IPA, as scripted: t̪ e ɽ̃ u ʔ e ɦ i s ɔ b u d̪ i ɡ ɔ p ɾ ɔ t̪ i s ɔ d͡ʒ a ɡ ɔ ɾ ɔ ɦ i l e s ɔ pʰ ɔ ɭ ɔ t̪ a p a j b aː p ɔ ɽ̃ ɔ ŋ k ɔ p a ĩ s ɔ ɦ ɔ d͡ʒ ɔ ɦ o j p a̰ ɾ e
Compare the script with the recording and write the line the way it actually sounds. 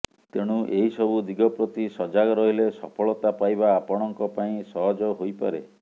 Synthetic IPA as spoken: t̪ e ɽ̃ u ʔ e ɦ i s ɔ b u d̪ i ɡ ɔ p ɾ ɔ t̪ i s ɔ d͡ʒ a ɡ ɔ ɾ ɔ ɦ i l e s ɔ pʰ ɔ ɭ ɔ t̪ a p a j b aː p ɔ ɽ̃ ɔ ŋ k ɔ p a ĩ s ɔ ɦ ɔ d͡ʒ ɔ ɦ o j p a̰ ɾ e